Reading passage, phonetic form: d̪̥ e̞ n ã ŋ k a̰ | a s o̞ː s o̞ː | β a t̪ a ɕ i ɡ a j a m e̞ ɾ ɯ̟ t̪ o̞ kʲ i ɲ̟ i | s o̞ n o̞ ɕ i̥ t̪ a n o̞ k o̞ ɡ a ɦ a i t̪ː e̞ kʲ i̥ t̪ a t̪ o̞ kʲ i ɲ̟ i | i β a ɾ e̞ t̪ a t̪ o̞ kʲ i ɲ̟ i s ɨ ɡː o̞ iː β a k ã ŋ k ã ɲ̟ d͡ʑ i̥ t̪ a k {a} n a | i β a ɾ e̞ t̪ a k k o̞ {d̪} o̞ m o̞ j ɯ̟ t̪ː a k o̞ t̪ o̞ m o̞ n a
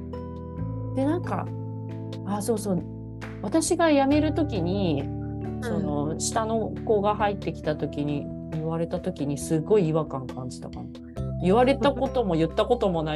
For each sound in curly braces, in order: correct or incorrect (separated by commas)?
correct, incorrect